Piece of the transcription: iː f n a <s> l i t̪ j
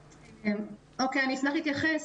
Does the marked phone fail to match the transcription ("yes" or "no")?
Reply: yes